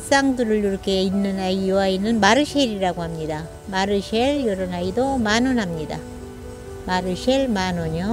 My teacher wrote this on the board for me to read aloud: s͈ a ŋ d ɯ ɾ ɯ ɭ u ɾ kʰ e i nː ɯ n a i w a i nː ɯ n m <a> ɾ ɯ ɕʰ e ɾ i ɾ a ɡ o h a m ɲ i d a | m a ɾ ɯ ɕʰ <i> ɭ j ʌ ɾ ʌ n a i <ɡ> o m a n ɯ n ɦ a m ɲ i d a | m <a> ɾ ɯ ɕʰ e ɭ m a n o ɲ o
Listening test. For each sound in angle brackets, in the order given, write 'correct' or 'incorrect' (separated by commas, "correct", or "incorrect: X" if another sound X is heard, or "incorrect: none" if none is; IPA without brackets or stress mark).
correct, incorrect: e, incorrect: d, correct